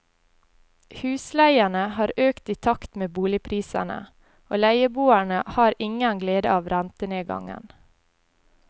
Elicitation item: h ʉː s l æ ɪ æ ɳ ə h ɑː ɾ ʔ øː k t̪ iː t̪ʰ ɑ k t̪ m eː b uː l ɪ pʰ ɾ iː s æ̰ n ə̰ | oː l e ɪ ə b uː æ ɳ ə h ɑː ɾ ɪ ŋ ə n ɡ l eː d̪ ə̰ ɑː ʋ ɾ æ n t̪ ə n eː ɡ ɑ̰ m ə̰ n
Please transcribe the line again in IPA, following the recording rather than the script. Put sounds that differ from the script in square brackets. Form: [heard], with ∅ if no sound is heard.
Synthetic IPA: h ʉː s l æ ɪ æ ɳ ə h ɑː ɾ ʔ øː k t̪ iː t̪ʰ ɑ k t̪ m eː b uː l ɪ pʰ ɾ iː s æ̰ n ə̰ | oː l [æ] ɪ ə b uː æ ɳ ə h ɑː ɾ ɪ ŋ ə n ɡ l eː d̪ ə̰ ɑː ʋ ɾ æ n t̪ ə n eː ɡ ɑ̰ [ŋ] ə̰ n